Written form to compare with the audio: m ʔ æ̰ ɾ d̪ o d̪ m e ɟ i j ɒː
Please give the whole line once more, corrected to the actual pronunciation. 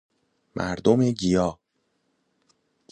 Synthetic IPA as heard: m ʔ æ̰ ɾ d̪ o m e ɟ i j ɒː